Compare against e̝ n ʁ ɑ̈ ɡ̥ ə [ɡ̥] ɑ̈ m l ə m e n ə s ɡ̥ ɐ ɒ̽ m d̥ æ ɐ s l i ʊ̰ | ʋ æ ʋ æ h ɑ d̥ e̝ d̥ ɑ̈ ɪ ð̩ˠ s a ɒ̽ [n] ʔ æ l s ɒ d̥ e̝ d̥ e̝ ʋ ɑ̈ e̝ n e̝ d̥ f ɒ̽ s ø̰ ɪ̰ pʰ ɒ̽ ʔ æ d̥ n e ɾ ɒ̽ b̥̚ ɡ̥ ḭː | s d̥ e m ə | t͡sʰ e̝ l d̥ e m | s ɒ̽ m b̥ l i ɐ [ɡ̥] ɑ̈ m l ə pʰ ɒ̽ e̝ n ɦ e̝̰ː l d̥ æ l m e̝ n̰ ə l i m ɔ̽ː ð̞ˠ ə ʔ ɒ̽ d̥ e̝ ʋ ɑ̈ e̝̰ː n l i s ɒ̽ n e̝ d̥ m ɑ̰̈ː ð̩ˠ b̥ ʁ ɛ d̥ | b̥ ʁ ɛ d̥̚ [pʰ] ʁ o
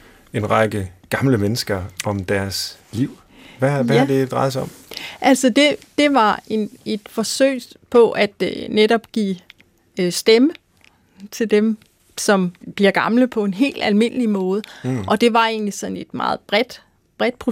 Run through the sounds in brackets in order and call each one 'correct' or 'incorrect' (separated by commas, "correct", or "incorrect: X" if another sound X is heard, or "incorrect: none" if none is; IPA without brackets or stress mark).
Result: correct, incorrect: m, correct, correct